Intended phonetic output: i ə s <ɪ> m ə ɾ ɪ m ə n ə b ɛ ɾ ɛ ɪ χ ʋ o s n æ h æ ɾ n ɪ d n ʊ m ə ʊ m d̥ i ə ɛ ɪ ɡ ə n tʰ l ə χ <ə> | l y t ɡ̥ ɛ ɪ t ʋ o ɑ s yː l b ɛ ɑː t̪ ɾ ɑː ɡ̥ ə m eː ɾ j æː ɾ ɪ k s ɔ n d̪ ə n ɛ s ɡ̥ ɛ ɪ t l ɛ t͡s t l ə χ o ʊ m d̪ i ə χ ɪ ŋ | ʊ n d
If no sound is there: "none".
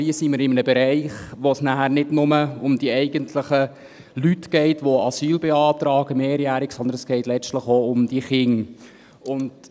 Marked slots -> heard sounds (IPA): i, ə

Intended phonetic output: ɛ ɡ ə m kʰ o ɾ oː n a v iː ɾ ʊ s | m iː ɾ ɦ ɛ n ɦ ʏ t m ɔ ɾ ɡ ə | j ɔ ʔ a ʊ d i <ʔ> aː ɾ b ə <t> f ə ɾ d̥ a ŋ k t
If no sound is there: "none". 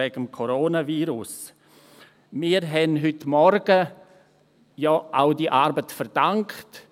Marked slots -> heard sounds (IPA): ʔ, t

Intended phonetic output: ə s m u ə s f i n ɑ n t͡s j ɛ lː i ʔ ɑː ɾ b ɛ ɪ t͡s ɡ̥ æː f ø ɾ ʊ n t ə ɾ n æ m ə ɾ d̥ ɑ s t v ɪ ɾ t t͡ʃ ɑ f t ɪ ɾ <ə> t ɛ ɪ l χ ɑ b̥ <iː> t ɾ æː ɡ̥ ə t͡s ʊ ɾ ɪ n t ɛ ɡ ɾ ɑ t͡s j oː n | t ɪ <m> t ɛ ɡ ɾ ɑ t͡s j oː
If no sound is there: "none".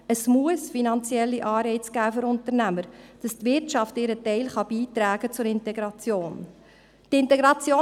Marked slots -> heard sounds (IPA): ə, iː, n

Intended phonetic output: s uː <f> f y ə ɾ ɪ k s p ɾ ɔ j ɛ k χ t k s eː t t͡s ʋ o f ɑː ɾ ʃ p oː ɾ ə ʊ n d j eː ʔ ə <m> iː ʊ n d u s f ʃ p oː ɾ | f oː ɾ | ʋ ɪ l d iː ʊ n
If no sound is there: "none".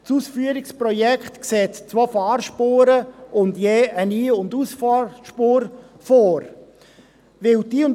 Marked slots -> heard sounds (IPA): s, n

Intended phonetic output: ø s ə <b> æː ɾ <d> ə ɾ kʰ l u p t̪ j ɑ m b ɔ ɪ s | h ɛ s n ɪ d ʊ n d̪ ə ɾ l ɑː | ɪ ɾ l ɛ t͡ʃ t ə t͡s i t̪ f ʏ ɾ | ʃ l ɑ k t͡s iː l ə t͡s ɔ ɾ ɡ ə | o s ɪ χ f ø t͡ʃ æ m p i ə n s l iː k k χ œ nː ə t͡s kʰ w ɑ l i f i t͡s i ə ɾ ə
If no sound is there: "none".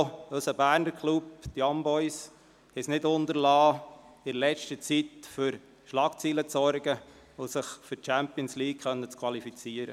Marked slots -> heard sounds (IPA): b, n

